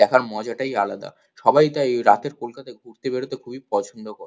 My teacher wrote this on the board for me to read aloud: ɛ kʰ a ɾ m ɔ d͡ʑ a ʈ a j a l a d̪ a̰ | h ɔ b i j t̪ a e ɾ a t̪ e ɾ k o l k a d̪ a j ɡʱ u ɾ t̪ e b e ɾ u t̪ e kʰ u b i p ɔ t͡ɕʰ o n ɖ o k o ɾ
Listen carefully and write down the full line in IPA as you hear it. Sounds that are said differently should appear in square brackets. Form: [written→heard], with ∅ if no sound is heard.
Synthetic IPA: ɛ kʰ a ɾ m ɔ d͡ʑ a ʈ a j a l a d̪ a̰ | [h→ʃ] ɔ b [i→a] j t̪ a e ɾ a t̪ e ɾ k o l k a [d̪→t̪] a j ɡʱ u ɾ t̪ e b e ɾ [u→o] t̪ e kʰ u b i p ɔ t͡ɕʰ o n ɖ o k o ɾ